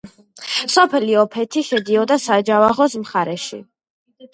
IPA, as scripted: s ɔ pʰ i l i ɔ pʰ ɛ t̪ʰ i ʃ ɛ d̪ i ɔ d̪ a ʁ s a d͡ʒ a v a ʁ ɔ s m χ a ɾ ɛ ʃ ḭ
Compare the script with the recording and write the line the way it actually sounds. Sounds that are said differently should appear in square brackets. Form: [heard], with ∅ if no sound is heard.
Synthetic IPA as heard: s ɔ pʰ [ɛ] l i ɔ pʰ ɛ t̪ʰ i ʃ ɛ d̪ i ɔ d̪ a [∅] s a d͡ʒ a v a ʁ ɔ s m χ a ɾ ɛ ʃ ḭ